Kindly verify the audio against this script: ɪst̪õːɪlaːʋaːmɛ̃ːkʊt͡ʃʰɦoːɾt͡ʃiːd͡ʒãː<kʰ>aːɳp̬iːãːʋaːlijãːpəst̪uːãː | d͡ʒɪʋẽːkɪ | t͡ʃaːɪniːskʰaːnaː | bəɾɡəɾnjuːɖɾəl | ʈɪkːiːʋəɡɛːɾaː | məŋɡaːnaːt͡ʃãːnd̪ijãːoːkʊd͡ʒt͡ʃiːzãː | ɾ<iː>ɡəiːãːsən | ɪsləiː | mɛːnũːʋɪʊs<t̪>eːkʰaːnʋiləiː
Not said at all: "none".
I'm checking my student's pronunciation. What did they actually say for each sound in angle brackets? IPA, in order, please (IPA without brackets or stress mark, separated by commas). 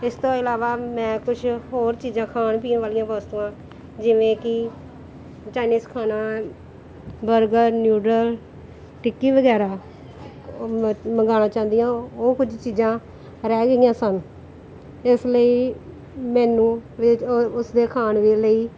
kʰ, ɛː, d̪